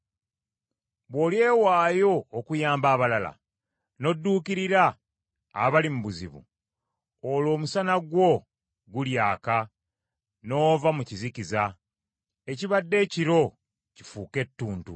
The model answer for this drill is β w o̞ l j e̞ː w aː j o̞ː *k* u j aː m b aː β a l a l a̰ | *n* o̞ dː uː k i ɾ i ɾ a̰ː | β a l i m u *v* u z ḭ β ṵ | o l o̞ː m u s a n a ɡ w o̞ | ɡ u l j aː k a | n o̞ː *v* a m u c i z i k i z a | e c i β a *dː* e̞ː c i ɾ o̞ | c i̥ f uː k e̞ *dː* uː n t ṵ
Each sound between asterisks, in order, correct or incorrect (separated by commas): correct, correct, incorrect, correct, correct, incorrect